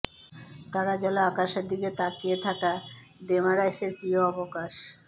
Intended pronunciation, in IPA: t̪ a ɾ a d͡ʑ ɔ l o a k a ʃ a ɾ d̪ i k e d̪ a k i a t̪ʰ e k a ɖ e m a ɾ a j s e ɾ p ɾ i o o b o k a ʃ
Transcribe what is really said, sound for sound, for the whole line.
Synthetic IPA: t̪ a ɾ a d͡ʑ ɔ l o a k a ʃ e ɾ d̪ i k e t̪ a k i e t̪ʰ a k a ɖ e m a ɾ a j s e ɾ p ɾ i o ɔ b o k a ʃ

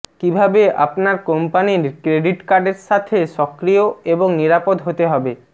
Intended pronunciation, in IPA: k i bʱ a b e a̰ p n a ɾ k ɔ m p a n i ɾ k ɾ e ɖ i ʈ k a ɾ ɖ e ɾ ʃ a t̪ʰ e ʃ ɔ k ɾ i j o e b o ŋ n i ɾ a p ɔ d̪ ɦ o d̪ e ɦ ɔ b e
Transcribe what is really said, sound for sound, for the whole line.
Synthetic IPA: k i bʱ a b e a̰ p n a ɾ k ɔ m p a n i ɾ k ɾ e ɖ i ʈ k a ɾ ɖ e ɾ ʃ a t̪ʰ e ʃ ɔ k ɾ i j o e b o ŋ n i ɾ a p o d̪ ɦ o t̪ e ɦ ɔ b e

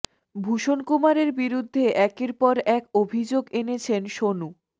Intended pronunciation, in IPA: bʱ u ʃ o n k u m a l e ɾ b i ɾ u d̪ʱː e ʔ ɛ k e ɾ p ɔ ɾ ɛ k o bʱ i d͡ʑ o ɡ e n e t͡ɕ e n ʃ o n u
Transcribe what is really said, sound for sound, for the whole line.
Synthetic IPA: bʱ u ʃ o n k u m a ɾ e ɾ b i ɾ u d̪ʱː e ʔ ɛ k e ɾ p ɔ ɾ ɛ k o bʱ i d͡ʑ o ɡ e n e t͡ɕʰ e n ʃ o n u

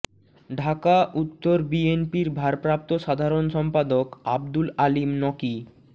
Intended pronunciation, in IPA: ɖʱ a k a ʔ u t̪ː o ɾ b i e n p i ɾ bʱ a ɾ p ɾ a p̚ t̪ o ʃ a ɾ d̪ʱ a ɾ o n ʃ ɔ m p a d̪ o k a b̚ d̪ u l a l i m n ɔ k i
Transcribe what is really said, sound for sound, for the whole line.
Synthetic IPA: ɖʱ a k a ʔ u t̪ː o ɾ b i e n p i ɾ bʱ a ɾ p ɾ a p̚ t̪ o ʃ a d̪ʱ a ɾ o n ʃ ɔ m p a d̪ o k a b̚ d̪ u l a l i m n ɔ k i

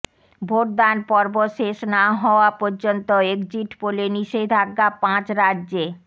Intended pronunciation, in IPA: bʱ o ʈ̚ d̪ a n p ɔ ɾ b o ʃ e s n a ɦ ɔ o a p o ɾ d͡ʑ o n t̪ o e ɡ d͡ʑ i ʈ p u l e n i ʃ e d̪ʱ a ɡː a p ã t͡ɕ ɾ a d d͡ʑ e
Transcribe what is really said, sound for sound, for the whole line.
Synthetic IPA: bʱ o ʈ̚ d̪ a n p ɔ ɾ b o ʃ e ʃ n a ɦ ɔ o a p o ɾ d͡ʑ o n t̪ o e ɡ d͡ʑ i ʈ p o l e n i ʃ e d̪ʱ a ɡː a p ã t͡ɕ ɾ a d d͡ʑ e

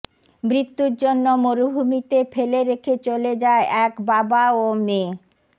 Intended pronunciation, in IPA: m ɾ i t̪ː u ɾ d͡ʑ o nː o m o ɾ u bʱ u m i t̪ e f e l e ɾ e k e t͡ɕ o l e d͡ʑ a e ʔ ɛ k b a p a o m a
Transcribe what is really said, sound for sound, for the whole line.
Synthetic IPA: m ɾ i t̪ː u ɾ d͡ʑ o nː o m o ɾ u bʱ u m i t̪ e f e l e ɾ e kʰ e t͡ɕ o l e d͡ʑ a e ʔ ɛ k b a b a o m e

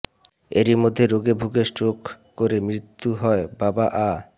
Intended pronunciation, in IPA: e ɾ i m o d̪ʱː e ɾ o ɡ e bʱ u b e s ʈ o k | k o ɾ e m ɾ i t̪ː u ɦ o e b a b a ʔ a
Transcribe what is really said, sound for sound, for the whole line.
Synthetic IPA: e ɾ i m o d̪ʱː e ɾ o ɡ e bʱ u ɡ e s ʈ o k | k o ɾ e m ɾ i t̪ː u ɦ ɔ e b a b a ʔ a

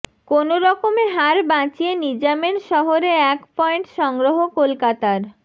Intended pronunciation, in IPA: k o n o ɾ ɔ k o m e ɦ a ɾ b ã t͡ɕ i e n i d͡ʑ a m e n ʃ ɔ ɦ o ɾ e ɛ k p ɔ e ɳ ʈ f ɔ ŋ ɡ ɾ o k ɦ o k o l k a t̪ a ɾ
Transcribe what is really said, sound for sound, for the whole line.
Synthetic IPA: k o n o ɾ ɔ k o m e ɦ a ɾ b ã t͡ɕ i e n i d͡ʑ a m e n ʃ ɔ ɦ o ɾ e ɛ k p ɔ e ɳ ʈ ʃ ɔ ŋ ɡ ɾ o ɦ o k o l k a t̪ a ɾ

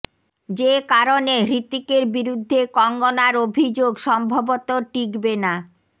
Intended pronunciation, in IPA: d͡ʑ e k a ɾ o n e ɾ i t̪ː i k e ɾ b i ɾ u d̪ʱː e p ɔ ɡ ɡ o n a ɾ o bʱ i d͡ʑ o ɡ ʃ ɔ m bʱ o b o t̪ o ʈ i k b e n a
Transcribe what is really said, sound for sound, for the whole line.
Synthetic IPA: d͡ʑ e k a ɾ o n e ɾ i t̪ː i k e ɾ b i ɾ u d̪ʱː e k ɔ ŋ ɡ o n a ɾ o bʱ i d͡ʑ o ɡ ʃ ɔ m bʱ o b o t̪ o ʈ i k b e n a

